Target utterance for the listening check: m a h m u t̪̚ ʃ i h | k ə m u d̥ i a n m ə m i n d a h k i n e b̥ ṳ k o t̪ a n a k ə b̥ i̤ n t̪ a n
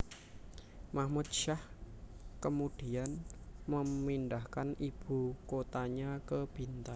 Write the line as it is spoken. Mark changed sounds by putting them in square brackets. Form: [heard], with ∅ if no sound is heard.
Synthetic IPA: m a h m u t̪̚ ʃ [a] h | k ə m u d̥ i a n m ə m i n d a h k [a] n [i] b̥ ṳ k o t̪ a [ɲ] a k ə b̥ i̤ n t̪ a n